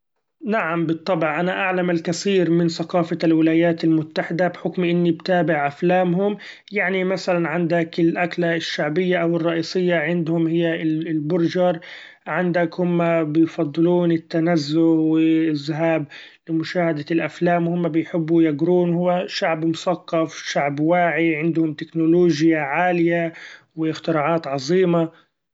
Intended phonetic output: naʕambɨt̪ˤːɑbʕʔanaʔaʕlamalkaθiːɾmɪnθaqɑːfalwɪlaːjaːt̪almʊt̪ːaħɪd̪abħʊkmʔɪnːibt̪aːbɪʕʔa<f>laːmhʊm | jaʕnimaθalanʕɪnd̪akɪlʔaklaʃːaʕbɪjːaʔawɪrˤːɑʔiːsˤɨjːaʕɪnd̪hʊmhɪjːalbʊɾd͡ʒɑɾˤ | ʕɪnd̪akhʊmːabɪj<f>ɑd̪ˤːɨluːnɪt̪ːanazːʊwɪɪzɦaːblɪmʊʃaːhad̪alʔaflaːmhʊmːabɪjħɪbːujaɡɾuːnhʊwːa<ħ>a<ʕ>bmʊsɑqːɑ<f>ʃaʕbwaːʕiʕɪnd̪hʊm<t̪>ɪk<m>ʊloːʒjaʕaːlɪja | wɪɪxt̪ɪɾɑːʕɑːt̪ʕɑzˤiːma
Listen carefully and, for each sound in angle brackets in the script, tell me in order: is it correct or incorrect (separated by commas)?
correct, correct, incorrect, correct, correct, correct, incorrect